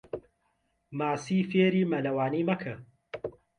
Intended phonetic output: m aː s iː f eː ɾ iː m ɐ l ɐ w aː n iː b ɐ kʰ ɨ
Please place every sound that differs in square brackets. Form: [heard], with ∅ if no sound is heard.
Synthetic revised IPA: m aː s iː f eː ɾ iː m ɐ l ɐ w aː n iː [m] ɐ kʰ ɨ